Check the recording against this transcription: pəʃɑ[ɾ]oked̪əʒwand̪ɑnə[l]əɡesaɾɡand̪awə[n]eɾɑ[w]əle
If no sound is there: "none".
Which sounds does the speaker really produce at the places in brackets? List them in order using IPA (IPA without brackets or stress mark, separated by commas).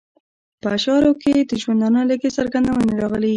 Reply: ɾ, l, n, ɣ